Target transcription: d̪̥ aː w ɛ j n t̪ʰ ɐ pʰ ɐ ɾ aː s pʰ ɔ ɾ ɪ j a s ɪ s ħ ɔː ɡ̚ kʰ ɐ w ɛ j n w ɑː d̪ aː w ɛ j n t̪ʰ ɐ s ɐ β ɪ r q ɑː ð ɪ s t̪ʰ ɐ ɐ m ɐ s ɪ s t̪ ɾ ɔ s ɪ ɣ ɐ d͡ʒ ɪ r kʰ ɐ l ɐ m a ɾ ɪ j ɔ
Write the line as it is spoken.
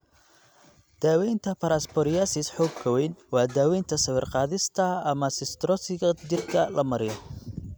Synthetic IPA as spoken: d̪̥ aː w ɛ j n t̪ʰ ɐ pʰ ɐ ɾ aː s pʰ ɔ ɾ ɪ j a s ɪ s ħ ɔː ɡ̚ kʰ ɐ w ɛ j n w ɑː d̪ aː w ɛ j n t̪ʰ ɐ s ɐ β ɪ r q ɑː ð ɪ s t̪ʰ ɐ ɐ m ɐ s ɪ s t̪ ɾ ɔ s ɪ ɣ ɐ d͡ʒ ɪ r kʰ ɐ l ɐ m ɐ ɾ ɪ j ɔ